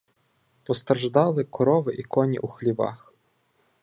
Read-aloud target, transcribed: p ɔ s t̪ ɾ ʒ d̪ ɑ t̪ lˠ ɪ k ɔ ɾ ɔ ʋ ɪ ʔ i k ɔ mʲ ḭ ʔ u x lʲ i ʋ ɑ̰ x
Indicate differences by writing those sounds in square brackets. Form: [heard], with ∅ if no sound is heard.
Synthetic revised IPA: p ɔ s t̪ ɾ ʒ d̪ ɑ [∅] lˠ ɪ k ɔ ɾ ɔ ʋ ɪ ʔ i k ɔ [nʲ] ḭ ʔ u x lʲ i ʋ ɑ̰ x